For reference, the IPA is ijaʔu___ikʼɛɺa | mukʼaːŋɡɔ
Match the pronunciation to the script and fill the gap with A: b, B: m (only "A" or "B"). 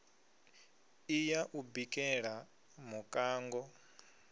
A